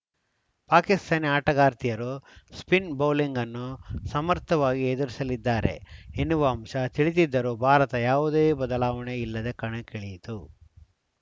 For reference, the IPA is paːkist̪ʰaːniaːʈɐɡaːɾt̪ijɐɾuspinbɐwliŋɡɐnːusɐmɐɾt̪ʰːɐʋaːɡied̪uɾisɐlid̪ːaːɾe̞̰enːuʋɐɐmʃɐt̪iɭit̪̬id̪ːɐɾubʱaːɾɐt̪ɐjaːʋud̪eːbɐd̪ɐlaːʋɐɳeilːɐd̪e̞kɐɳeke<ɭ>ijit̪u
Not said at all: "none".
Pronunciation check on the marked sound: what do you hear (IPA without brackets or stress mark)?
ɭ